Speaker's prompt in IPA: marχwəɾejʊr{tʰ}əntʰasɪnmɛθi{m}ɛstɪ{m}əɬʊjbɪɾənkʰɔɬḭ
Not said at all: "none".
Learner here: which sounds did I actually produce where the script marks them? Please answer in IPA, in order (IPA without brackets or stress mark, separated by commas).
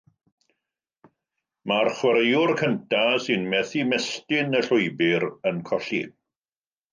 kʰ, m, n